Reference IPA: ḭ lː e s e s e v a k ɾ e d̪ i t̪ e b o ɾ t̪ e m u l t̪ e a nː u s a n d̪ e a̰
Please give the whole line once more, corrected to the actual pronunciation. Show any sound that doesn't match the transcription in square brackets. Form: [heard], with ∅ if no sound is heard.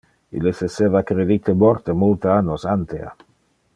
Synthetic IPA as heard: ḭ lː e s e s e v a k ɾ e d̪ i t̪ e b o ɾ t̪ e m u l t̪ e a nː [o] s a n [t̪] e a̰